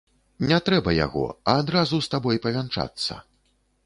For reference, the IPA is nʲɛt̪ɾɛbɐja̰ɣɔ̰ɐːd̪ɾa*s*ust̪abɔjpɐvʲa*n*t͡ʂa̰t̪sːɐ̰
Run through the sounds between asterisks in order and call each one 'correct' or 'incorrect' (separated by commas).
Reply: incorrect, correct